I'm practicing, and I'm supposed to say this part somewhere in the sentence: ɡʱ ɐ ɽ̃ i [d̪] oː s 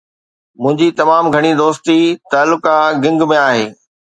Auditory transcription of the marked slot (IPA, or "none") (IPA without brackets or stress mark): d̪